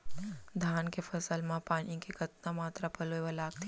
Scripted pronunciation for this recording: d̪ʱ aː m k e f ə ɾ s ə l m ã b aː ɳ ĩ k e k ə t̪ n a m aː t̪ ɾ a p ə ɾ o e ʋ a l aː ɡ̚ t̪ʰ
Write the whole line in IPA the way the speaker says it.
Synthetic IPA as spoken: d̪ʱ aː n k e f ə s ə l m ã p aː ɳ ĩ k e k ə t̪ n a m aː t̪ ɾ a p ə l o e ʋ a l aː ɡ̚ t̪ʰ